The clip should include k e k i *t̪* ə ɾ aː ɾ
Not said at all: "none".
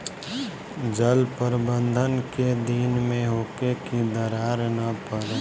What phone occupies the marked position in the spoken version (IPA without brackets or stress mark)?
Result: d̪